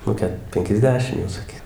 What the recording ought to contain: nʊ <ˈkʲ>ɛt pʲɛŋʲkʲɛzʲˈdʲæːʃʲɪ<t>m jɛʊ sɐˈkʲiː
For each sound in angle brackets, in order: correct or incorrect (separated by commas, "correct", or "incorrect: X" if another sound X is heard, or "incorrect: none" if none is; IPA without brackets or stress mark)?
correct, incorrect: none